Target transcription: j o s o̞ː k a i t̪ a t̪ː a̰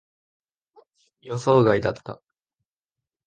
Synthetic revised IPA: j o s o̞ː ɡ a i d̪ a t̪ː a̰